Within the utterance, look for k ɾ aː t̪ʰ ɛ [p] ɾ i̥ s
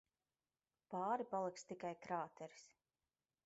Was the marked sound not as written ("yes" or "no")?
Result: yes